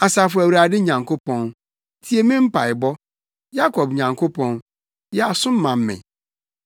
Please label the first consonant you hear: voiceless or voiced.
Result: voiceless